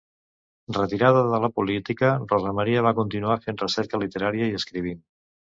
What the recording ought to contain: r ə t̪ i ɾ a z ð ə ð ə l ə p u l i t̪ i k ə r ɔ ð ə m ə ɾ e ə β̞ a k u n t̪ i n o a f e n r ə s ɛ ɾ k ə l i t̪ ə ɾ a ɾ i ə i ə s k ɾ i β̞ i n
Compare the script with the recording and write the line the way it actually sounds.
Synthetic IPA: r ə t̪ i ɾ a ð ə ð ə l ə p u l i t̪ i k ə r ɔ z ə m ə ɾ i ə β̞ a k u n t̪ i n u a f e n r ə s ɛ ɾ k ə l i t̪ ə ɾ a ɾ i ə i ə s k ɾ i β̞ i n

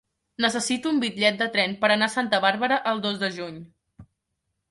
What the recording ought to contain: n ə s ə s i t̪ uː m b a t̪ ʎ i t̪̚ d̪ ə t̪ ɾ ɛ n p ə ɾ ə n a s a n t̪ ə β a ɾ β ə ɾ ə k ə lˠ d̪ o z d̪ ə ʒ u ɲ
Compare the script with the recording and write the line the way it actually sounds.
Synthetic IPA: n ə s ə s i t̪ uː m b i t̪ ʎ ɛ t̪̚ d̪ ə t̪ ɾ ɛ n p ə ɾ ə n a s a n t̪ ə β a ɾ β ə ɾ ə ʔ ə lˠ d̪ o z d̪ ə ʒ u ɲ

